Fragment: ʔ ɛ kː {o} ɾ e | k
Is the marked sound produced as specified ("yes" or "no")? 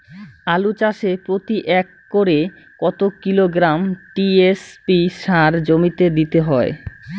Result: yes